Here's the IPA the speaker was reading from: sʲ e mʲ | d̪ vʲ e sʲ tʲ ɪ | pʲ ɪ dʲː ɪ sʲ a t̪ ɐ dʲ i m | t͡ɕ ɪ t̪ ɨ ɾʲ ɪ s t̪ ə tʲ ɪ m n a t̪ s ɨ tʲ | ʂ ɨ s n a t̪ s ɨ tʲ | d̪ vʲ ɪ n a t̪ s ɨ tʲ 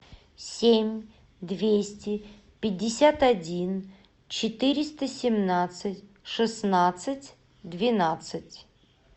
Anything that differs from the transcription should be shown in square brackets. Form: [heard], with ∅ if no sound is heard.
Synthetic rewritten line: sʲ e mʲ | d̪ vʲ e sʲ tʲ ɪ | pʲ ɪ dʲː ɪ sʲ a t̪ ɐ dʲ i [n] | t͡ɕ ɪ t̪ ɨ ɾʲ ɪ s t̪ ə [sʲ] ɪ m n a t̪ s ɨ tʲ | ʂ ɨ s n a t̪ s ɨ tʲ | d̪ vʲ ɪ n a t̪ s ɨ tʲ